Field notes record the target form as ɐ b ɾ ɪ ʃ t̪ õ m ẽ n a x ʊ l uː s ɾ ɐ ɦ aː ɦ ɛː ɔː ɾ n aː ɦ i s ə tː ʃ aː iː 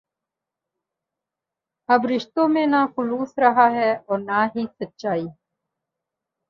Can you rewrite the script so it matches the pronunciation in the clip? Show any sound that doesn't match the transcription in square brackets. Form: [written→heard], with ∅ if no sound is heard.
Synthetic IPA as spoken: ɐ b ɾ ɪ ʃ t̪ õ m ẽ n a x ʊ l uː s ɾ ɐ ɦ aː ɦ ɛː ɔː ɾ n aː ɦ i s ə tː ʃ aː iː